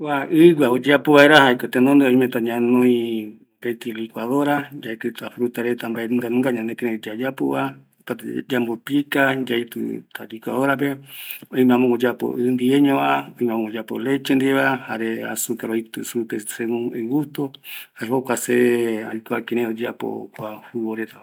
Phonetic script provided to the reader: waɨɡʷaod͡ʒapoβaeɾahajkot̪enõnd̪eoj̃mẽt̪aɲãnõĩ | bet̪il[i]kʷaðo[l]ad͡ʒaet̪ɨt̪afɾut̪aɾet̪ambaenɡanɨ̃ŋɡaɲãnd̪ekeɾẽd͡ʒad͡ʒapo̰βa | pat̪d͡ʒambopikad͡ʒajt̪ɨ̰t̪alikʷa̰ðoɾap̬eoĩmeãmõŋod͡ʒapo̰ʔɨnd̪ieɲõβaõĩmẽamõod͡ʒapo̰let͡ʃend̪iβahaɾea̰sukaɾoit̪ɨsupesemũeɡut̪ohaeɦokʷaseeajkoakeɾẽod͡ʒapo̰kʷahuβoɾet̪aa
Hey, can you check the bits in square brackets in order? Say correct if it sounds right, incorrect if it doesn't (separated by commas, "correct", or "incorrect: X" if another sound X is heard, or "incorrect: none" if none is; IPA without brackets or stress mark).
correct, incorrect: ɾ